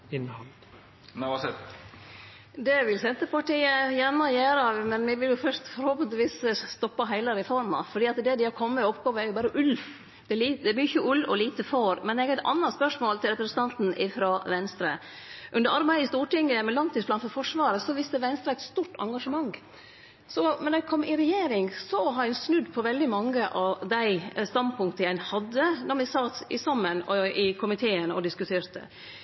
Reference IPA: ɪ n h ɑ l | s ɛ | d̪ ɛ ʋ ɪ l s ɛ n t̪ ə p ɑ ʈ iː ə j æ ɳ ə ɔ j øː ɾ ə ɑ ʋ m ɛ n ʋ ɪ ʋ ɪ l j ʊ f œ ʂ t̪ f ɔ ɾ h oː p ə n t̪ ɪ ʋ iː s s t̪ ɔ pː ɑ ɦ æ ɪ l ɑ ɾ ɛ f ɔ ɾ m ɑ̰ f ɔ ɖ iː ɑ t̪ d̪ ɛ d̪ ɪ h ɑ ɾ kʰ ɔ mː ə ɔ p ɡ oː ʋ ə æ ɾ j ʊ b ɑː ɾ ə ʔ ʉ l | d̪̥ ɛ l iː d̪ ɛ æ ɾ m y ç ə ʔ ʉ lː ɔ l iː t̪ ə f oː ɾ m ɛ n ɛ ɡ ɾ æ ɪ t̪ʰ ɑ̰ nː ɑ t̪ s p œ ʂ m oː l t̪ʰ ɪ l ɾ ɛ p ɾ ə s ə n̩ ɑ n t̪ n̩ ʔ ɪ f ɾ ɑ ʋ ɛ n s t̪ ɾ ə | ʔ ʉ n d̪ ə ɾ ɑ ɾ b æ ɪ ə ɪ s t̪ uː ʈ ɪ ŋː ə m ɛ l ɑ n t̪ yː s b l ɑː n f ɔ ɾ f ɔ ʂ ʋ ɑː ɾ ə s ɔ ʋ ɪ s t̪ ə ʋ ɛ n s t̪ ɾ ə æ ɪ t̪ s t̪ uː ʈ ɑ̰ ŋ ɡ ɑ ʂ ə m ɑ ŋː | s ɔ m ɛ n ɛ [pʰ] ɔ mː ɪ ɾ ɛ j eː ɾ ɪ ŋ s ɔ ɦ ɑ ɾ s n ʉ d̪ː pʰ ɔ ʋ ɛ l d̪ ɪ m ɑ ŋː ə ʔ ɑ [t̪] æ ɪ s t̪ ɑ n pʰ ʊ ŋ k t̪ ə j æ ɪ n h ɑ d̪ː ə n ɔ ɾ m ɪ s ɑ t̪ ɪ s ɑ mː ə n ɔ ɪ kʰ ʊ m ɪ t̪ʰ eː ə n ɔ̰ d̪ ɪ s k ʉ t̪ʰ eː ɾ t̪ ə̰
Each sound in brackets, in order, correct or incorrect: incorrect: kʰ, incorrect: d̪

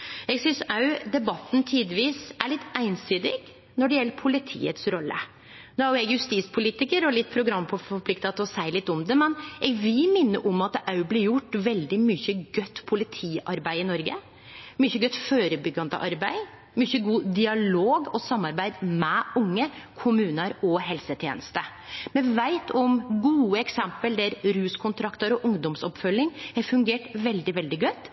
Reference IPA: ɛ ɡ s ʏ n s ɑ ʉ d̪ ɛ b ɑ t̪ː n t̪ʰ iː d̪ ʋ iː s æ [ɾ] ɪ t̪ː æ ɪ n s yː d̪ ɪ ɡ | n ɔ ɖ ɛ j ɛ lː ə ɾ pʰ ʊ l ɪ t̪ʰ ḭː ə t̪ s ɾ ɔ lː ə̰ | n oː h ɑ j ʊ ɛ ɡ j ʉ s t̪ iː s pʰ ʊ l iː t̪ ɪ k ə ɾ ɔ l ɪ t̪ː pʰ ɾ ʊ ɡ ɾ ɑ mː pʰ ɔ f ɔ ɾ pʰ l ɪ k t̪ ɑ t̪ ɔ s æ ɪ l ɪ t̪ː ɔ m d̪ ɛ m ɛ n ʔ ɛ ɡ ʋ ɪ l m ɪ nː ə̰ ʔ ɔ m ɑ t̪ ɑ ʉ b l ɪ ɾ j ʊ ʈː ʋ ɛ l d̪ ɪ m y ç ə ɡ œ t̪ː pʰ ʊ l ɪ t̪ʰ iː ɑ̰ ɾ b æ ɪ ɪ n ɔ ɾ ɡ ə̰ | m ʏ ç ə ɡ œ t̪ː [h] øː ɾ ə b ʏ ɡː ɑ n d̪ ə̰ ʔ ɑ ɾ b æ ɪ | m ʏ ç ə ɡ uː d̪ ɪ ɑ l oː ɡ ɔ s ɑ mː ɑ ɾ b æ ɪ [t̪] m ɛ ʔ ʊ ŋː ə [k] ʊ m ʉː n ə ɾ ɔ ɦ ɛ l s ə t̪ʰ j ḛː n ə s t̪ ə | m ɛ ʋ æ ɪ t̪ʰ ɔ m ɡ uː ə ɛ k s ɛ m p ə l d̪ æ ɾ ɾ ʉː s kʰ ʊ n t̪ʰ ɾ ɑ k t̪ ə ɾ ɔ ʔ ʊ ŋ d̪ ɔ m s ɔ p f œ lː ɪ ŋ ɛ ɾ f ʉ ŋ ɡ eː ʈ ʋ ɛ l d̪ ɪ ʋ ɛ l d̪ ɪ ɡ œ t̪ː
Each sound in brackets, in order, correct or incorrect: incorrect: ɭ, incorrect: f, incorrect: d̪, incorrect: kʰ

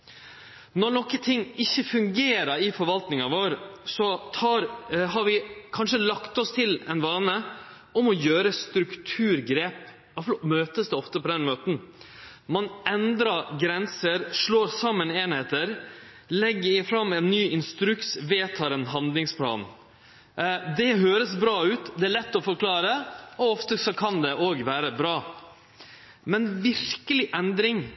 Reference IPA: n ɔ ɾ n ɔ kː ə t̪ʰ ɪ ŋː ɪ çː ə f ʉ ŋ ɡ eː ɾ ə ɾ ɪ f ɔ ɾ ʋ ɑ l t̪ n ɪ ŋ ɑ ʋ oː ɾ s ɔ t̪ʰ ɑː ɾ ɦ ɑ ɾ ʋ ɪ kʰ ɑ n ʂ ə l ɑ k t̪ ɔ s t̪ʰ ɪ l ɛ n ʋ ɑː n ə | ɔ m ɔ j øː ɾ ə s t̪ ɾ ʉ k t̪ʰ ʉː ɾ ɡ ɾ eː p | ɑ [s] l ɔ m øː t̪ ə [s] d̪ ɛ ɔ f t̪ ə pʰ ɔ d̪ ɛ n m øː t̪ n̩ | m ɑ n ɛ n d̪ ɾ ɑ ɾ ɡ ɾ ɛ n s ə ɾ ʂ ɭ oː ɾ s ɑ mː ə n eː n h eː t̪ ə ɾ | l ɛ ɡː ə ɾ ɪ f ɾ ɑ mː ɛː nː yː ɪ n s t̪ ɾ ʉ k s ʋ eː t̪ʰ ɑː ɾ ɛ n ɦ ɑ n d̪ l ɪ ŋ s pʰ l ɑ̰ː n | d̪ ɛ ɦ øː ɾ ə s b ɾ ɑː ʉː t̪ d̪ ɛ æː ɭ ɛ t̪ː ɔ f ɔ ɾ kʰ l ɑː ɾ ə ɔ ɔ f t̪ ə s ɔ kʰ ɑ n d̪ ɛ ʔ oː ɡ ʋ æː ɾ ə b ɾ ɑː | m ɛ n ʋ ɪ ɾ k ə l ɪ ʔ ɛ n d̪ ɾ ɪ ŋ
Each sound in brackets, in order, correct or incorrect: incorrect: f, correct

